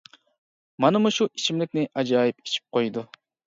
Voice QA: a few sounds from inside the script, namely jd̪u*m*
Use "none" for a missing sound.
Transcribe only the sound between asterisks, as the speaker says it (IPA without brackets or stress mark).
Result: none